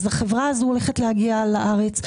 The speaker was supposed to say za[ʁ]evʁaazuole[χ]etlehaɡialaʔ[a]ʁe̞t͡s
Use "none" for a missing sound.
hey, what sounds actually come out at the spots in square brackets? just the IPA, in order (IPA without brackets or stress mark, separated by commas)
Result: χ, χ, a